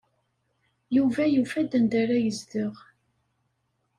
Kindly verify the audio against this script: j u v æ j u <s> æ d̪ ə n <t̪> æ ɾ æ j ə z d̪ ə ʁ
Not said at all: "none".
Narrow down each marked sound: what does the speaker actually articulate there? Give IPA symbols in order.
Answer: f, d̪

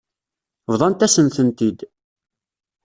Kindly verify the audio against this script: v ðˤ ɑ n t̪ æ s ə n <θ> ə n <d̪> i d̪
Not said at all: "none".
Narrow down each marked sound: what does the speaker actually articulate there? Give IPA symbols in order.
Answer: θ, t̪

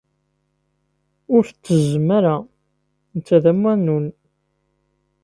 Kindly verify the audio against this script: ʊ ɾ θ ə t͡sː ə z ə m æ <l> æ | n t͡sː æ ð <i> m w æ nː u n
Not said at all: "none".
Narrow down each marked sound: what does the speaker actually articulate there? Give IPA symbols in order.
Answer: ɾ, æ

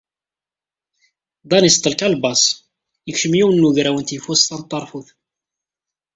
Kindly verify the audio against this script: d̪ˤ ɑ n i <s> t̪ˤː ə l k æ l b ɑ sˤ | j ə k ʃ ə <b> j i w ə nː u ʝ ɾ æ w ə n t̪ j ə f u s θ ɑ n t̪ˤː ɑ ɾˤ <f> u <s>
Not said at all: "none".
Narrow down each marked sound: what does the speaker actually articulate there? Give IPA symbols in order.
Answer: s, m, f, θ

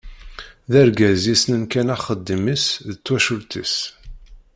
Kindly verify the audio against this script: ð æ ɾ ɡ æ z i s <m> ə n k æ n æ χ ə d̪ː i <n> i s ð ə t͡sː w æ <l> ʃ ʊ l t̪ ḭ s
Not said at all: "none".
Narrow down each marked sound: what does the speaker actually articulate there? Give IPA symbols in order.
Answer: n, m, none

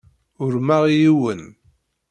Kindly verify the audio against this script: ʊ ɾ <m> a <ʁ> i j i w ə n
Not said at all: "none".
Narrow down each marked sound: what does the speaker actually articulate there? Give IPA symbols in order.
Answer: m, ʁ

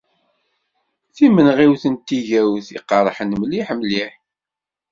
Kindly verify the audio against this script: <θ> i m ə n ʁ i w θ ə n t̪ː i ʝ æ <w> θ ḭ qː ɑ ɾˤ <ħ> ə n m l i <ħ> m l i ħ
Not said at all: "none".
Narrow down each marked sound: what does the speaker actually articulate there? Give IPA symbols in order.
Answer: θ, w, ħ, ħ

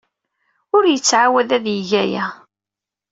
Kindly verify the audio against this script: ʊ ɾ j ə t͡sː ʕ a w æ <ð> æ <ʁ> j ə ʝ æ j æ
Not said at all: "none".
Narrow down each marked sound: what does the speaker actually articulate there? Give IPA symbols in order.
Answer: ð, ð

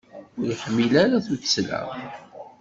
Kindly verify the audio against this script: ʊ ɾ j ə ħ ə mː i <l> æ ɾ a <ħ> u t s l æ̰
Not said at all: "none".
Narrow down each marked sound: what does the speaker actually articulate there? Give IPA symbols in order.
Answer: l, θ

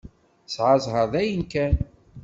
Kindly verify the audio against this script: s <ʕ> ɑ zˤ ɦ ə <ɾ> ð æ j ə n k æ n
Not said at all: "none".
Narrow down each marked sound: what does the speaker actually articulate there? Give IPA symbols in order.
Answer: ʕ, ɾ

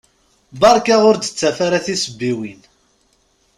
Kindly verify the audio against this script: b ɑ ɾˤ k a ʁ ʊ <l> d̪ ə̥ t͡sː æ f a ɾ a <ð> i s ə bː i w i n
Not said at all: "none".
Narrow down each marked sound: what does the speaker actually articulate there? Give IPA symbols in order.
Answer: ɾ, θ

